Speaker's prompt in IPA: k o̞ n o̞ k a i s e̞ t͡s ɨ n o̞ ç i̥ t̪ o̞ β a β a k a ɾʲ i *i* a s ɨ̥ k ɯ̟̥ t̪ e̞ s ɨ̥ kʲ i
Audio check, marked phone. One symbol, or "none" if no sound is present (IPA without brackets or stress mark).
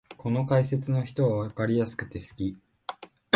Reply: j